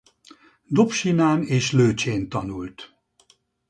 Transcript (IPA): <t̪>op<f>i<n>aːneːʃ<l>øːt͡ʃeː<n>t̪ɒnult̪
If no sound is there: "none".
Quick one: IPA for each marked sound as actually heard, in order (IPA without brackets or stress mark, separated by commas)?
d̪, ʃ, n, l, n